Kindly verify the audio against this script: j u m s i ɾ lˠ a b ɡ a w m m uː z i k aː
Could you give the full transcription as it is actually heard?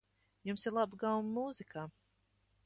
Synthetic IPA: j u m s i ɾ lˠ a b ɡ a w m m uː z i k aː